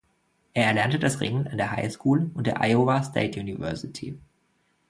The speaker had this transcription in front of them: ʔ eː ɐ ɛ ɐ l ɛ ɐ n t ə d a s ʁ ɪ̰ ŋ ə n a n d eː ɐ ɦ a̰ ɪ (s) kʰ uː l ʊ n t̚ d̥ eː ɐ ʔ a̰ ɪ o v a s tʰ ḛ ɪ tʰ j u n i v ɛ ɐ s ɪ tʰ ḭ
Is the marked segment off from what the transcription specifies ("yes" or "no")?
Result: no